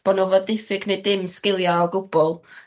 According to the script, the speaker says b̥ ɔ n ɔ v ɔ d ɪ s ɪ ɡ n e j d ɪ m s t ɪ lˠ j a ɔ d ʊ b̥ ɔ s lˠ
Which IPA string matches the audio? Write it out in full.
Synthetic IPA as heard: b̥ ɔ n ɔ v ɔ d ɪ f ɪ ɡ n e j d ɪ m s k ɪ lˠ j a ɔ ɡ ʊ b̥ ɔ lˠ